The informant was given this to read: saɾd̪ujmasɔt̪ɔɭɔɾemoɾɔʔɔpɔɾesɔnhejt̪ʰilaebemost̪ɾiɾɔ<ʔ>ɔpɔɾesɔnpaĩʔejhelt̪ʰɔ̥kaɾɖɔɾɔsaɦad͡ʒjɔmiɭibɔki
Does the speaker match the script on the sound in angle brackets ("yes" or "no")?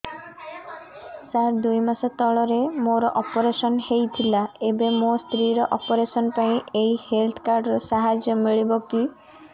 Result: yes